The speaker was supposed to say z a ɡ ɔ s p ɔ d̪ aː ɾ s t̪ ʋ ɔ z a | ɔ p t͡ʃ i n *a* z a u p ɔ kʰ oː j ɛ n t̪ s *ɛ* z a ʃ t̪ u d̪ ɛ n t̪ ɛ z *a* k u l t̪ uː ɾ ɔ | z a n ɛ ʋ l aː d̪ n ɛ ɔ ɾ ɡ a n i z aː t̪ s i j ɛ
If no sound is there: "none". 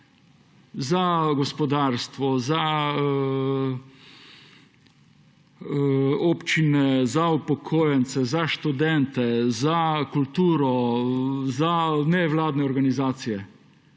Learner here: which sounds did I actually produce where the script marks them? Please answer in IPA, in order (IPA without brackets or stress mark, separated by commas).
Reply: ɛ, ɛ, a